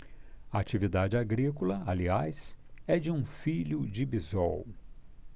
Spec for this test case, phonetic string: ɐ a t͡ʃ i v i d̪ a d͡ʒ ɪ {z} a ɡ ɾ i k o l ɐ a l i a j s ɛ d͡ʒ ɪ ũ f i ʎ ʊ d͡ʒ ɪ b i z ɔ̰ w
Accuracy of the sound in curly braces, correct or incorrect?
incorrect